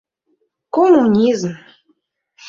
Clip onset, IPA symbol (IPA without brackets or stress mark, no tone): k